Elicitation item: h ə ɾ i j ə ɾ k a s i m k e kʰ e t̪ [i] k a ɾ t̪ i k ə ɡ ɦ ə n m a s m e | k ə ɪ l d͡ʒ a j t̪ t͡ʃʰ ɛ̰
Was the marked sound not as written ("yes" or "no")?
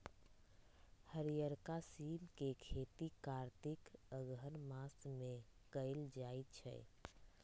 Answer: no